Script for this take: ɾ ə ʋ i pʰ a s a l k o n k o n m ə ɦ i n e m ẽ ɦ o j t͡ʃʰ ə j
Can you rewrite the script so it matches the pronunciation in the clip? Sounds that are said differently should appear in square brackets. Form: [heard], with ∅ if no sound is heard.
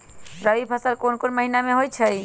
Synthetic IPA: ɾ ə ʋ i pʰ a s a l k o n k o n m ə ɦ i n [a] m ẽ ɦ o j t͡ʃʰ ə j